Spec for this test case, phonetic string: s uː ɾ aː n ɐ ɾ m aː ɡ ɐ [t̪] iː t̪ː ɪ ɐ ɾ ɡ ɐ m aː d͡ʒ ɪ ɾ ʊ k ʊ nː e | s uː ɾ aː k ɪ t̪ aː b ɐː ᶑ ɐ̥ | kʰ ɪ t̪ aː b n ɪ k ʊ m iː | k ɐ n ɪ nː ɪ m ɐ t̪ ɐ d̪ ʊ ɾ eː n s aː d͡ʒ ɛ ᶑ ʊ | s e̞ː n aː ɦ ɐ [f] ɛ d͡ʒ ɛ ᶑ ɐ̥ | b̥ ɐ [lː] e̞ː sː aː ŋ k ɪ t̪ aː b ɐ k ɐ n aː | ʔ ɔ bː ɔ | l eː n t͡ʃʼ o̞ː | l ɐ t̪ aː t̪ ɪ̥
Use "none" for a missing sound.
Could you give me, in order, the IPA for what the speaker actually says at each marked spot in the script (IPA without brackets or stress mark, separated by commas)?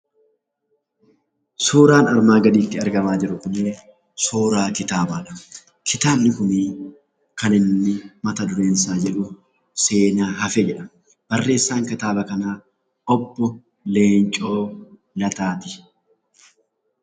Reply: d̪, f, rː